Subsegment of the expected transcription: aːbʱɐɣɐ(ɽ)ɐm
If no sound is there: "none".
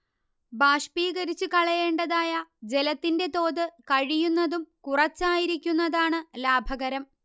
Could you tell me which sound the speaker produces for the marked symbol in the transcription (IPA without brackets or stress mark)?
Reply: ɾ